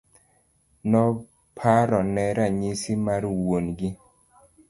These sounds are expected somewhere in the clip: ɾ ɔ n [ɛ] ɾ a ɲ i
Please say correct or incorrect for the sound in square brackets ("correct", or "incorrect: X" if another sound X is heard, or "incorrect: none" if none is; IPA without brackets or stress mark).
correct